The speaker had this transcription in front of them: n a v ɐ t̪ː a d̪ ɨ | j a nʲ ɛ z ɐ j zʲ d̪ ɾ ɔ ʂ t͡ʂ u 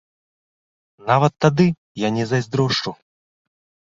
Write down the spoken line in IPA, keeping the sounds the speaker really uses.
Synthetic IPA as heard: n a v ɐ t̪ː a d̪ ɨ | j a nʲ ɛ z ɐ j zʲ d̪ ɾ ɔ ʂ t͡ʂ u

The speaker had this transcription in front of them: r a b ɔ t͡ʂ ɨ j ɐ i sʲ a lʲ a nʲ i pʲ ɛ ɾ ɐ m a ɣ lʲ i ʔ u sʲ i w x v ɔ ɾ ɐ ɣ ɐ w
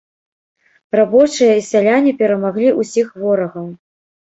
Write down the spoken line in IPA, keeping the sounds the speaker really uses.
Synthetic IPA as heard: r a b ɔ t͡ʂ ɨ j ɐ i sʲ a lʲ a nʲ i pʲ ɛ ɾ ɐ m a ɣ lʲ i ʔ u sʲ i x v ɔ ɾ ɐ ɣ ɐ w

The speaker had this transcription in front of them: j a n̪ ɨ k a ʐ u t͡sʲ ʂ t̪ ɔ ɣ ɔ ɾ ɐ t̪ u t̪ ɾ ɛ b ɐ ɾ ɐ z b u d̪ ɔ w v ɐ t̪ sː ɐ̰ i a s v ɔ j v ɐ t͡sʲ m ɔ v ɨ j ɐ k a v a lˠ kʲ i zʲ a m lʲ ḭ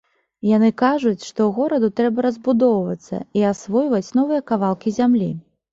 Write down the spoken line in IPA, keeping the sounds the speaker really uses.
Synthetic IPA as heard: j a n̪ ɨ k a ʐ u t͡sʲ ʂ t̪ ɔ ɣ ɔ ɾ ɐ d̪ u t̪ ɾ ɛ b ɐ ɾ ɐ z b u d̪ ɔ w v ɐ t̪ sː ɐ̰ i a s v ɔ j v ɐ t͡sʲ n ɔ v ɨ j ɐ k a v a lˠ kʲ i zʲ a m lʲ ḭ

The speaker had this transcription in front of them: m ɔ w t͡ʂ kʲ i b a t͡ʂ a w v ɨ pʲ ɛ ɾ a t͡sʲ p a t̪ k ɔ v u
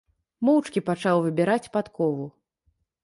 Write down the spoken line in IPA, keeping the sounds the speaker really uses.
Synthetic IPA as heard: m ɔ w t͡ʂ kʲ i p a t͡ʂ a w v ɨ bʲ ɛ ɾ a t͡sʲ p a t̪ k ɔ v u

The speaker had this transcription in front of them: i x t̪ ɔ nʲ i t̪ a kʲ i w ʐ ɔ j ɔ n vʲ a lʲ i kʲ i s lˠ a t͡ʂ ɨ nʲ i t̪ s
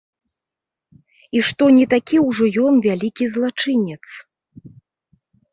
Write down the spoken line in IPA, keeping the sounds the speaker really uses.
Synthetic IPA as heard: i ʂ t̪ ɔ nʲ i t̪ a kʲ i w ʐ ɔ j ɔ n vʲ a lʲ i kʲ i z lˠ a t͡ʂ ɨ nʲ ɛ t̪ s

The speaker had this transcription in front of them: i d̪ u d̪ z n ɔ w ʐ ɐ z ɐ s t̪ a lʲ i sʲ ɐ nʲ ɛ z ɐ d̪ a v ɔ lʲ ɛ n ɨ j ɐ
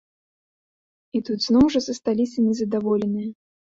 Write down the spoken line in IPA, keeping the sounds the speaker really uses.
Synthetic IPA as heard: i t̪ u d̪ z n ɔ w ʐ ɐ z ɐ s t̪ a lʲ i sʲ ɐ nʲ ɛ z ɐ d̪ a v ɔ lʲ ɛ n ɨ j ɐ

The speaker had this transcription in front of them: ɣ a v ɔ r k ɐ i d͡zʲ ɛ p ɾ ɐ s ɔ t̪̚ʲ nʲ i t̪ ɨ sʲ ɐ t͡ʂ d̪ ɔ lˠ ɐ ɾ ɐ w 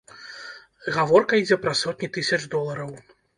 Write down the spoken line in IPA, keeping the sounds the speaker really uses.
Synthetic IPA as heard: ɣ a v ɔ r k ɐ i d͡zʲ ɛ p ɾ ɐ s ɔ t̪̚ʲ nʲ i t̪ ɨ sʲ ɐ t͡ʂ d̪ ɔ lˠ ɐ ɾ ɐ w

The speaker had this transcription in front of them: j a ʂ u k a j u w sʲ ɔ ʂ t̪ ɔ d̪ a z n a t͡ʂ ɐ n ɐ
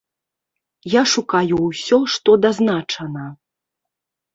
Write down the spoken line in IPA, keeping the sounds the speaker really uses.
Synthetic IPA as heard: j a ʂ u k a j u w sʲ ɔ ʂ t̪ ɔ d̪ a z n a t͡ʂ ɐ n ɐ

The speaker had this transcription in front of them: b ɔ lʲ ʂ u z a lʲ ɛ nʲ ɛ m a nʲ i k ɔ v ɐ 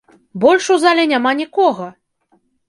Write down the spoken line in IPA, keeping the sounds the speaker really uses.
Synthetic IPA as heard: b ɔ lʲ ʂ u z a lʲ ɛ nʲ a m a nʲ i k ɔ ɣ ɐ

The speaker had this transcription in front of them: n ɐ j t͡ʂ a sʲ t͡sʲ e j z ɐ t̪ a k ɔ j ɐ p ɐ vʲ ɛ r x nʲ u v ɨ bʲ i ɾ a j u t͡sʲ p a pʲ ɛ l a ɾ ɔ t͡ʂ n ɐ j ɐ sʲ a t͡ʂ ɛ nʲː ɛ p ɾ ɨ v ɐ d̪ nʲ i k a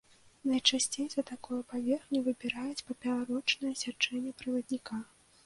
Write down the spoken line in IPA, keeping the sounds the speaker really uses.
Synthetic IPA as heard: n ɐ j t͡ʂ a sʲ t͡sʲ e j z ɐ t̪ a k ɔ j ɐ p a vʲ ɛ r x nʲ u v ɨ bʲ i ɾ a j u t͡sʲ p ɐ pʲ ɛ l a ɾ ɔ t͡ʂ n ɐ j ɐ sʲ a t͡ʂ ɛ nʲː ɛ p ɾ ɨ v ɐ d̪ nʲ i k a

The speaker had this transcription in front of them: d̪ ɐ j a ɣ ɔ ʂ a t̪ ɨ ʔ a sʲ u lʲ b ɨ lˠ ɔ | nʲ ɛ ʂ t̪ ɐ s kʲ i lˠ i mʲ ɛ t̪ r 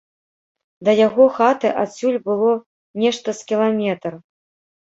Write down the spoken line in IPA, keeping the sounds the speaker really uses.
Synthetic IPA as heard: d̪ ɐ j a ɣ ɔ x a t̪ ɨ ʔ a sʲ u lʲ b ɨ lˠ ɔ | nʲ ɛ ʂ t̪ ɐ s kʲ i lˠ a mʲ ɛ t̪ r

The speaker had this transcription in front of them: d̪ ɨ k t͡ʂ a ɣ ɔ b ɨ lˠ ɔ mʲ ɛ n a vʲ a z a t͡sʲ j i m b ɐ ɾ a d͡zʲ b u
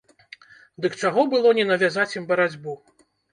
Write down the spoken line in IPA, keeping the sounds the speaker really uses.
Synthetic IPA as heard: d̪ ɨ k t͡ʂ a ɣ ɔ b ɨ lˠ ɔ nʲ ɛ n ɐ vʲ a z a t͡sʲ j i m b ɐ ɾ a d͡zʲ b u

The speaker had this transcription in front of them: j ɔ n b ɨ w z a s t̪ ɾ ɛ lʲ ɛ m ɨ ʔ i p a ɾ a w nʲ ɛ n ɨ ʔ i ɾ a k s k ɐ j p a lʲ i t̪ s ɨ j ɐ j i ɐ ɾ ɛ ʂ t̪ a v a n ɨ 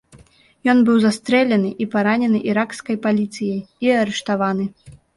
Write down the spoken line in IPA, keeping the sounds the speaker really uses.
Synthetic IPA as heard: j ɔ n b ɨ w z a s t̪ ɾ ɛ lʲ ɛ n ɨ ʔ i p a ɾ a nʲ ɛ n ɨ ʔ i ɾ a k s k ɐ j p a lʲ i t̪ s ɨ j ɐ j i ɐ ɾ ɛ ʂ t̪ a v a n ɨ

